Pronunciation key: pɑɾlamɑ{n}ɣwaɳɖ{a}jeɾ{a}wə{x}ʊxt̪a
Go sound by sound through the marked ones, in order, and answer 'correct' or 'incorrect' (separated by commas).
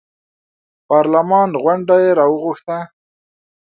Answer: correct, correct, incorrect, incorrect